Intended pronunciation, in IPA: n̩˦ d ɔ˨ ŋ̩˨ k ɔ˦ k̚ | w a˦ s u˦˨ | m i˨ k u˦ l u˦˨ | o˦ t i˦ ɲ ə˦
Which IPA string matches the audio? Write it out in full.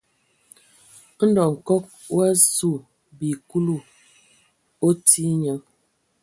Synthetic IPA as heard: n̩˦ d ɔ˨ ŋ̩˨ k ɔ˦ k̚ | w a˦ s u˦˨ | b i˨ k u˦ l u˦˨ | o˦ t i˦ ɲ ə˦